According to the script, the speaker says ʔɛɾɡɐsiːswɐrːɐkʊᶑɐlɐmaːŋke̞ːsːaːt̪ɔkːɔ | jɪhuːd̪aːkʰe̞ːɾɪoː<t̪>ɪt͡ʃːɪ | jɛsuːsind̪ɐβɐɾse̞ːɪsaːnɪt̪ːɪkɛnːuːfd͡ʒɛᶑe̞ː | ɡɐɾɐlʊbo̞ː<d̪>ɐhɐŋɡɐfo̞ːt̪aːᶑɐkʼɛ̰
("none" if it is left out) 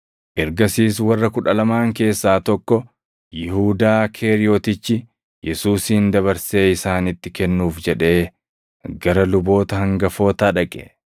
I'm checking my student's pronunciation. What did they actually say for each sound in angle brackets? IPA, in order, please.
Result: t̪, t̪

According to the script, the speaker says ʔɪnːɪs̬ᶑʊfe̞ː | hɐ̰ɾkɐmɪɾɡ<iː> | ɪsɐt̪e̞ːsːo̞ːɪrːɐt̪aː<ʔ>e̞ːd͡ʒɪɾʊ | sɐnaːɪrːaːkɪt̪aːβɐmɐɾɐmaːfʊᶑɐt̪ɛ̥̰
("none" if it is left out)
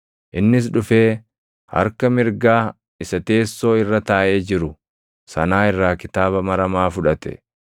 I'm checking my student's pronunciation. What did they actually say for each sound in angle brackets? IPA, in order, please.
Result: aː, ʔ

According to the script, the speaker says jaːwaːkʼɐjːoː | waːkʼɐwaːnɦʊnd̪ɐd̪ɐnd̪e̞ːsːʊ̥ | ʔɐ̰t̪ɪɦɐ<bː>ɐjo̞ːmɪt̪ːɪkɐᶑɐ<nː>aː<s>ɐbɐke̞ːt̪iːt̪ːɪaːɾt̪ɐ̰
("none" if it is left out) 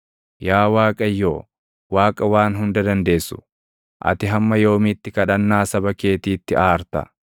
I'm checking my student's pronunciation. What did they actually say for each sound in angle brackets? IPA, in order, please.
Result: mː, nː, s

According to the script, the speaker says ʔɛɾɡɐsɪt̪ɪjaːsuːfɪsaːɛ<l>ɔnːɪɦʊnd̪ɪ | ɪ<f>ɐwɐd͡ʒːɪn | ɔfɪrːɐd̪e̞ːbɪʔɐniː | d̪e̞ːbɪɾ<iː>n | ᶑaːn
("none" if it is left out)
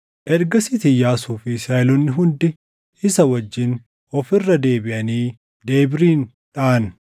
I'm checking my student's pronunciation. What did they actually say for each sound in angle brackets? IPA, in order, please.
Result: l, s, iː

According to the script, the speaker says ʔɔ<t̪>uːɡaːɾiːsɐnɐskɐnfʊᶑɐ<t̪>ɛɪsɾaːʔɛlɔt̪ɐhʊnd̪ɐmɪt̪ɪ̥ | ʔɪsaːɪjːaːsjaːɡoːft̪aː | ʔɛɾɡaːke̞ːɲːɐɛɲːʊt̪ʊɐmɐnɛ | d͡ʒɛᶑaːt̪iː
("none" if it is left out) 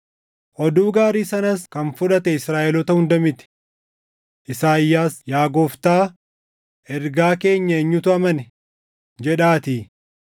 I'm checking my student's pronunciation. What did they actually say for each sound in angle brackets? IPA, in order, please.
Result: d̪, t̪

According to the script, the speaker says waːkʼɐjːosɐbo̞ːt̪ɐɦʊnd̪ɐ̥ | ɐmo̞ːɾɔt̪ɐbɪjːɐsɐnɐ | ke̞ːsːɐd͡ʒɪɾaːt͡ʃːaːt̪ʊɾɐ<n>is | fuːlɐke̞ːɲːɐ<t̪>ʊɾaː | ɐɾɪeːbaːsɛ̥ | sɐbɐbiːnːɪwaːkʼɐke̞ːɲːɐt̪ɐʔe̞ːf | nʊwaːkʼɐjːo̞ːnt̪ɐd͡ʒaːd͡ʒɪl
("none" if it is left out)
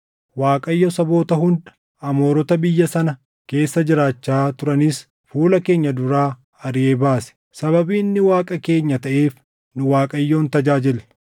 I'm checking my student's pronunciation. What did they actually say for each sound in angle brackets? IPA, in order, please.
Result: n, d̪

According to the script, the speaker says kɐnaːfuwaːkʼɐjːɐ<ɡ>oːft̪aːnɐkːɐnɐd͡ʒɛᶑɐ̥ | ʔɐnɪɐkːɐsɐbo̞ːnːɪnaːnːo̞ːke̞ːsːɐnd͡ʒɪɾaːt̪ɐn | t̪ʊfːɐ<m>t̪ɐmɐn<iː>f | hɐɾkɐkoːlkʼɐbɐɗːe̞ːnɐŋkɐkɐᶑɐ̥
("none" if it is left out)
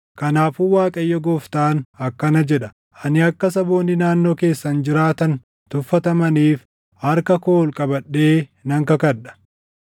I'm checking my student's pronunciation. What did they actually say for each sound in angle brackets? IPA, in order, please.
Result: ɡ, none, iː

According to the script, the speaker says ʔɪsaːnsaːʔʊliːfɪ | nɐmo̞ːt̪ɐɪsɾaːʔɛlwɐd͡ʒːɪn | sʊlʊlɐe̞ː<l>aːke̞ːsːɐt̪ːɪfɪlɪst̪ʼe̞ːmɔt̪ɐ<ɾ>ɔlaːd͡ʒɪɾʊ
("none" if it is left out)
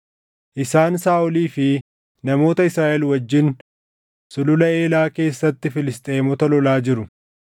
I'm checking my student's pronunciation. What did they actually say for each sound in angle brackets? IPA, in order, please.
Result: l, l

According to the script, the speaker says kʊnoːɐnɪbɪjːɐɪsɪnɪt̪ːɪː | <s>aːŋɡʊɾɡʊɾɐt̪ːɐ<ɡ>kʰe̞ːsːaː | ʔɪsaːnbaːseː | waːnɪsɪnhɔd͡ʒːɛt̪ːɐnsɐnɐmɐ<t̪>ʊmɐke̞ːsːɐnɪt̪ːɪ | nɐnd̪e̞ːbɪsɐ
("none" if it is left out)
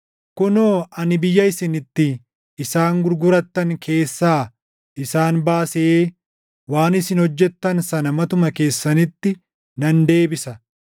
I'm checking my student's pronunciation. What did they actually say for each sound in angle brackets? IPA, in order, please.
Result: s, ŋ, t̪

